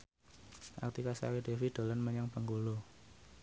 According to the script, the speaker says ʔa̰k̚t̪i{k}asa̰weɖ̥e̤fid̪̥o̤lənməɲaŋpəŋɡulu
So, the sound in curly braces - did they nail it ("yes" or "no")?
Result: yes